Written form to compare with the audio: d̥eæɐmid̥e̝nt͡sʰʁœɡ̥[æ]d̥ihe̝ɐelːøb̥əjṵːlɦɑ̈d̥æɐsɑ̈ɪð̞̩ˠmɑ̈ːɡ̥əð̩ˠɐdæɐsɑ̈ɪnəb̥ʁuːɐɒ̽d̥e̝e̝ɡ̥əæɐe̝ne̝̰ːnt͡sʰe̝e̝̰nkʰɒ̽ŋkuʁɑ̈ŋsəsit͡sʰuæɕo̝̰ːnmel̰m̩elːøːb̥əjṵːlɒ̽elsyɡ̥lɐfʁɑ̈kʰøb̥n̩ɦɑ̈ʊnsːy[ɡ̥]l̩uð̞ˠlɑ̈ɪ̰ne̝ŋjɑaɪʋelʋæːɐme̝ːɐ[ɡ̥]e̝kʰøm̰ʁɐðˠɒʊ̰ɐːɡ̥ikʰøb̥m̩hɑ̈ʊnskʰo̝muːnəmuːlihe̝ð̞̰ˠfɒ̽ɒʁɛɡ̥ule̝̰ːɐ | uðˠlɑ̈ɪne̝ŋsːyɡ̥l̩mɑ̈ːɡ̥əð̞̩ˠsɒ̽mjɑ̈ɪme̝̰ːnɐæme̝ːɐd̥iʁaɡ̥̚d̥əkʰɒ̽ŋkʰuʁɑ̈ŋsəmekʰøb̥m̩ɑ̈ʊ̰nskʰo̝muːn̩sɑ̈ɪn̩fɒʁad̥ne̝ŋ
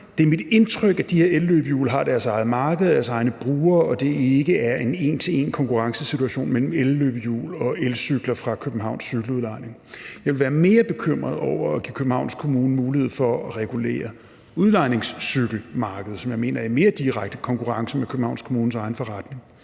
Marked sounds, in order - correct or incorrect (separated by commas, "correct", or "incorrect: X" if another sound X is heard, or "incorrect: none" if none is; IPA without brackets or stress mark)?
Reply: correct, correct, incorrect: b̥